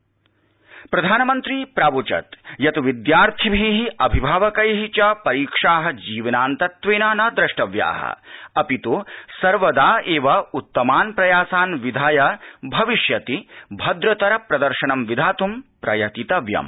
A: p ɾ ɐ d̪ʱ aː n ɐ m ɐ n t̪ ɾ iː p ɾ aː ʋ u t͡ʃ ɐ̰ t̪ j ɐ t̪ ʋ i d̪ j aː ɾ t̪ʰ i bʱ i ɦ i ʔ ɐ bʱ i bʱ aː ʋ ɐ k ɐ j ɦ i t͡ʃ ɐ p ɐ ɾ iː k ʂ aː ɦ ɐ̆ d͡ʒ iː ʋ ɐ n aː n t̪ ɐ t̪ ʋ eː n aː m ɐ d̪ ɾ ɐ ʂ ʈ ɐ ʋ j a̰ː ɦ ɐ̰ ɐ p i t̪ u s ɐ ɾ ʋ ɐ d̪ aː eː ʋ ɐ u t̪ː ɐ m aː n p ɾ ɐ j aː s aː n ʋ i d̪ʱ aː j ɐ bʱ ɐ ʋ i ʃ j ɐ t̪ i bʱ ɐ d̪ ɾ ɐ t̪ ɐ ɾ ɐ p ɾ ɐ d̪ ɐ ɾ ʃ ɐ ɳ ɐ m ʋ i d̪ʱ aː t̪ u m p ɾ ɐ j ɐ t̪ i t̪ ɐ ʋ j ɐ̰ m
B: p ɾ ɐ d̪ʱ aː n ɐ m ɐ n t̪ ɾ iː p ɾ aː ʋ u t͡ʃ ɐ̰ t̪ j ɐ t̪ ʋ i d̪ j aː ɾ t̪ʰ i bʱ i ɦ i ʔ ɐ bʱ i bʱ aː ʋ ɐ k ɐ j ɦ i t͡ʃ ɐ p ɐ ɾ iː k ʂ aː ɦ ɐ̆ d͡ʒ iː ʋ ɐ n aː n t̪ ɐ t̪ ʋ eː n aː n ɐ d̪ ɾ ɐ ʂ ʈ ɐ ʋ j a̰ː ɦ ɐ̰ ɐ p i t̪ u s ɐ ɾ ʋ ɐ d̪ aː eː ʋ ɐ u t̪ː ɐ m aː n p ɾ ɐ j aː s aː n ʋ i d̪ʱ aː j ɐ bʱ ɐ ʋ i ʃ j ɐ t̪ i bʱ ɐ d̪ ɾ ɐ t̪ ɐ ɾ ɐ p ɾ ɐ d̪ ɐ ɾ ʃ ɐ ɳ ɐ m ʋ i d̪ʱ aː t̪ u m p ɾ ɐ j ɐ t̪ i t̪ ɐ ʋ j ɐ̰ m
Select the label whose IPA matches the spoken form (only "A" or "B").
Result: B